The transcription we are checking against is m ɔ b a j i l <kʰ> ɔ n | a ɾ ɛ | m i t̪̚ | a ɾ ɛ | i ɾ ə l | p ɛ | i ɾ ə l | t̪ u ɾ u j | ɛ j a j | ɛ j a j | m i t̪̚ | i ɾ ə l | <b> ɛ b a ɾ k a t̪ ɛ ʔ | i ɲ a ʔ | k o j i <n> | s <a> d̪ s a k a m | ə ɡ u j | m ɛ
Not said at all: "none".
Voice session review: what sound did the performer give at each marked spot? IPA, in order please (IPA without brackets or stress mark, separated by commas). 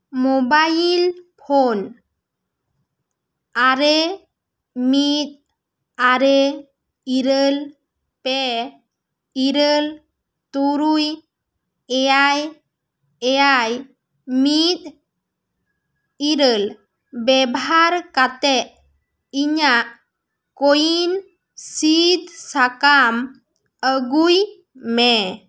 pʰ, b, n, i